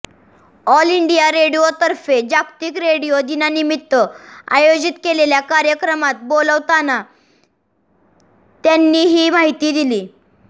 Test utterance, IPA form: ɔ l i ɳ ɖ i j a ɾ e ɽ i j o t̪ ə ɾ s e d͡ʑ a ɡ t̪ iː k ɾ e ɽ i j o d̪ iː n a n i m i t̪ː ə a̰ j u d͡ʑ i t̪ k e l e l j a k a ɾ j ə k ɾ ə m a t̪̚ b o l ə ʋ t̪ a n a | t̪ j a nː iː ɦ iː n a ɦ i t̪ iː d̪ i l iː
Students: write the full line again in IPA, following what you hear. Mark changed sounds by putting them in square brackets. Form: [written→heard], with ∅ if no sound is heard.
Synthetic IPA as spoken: ɔ l i ɳ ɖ i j a ɾ e ɽ i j o t̪ ə ɾ [s→f] e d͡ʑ a [ɡ→k] t̪ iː k ɾ e ɽ i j o d̪ [iː→i] n a n i m i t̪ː ə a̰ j [u→o] d͡ʑ i t̪ k e l e l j a k a ɾ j ə k ɾ ə m a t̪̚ b o l ə ʋ t̪ a n a | t̪ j a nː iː ɦ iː [n→m] a ɦ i t̪ iː d̪ i l iː